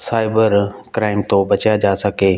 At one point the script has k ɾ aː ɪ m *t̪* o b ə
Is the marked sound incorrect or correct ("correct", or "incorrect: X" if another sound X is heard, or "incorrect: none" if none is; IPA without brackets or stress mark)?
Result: correct